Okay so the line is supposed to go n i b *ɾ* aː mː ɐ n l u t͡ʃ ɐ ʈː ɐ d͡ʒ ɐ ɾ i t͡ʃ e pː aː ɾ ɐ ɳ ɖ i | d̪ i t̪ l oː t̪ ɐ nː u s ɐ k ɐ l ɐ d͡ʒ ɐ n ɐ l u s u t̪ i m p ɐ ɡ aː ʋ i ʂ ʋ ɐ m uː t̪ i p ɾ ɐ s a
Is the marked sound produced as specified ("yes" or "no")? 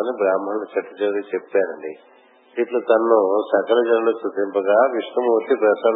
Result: yes